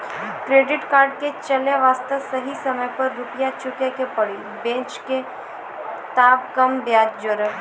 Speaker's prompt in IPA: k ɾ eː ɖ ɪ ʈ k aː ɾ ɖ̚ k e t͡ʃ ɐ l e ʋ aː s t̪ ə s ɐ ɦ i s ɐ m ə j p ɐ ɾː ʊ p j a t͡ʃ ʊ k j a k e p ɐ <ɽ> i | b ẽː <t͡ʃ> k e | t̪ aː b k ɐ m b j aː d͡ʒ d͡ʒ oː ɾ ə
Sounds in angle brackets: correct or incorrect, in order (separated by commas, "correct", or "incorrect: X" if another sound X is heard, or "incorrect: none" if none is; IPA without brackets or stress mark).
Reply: correct, correct